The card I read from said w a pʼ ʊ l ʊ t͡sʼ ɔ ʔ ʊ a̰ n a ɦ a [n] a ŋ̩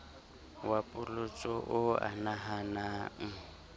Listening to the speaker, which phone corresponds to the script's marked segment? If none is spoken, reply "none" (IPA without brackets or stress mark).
n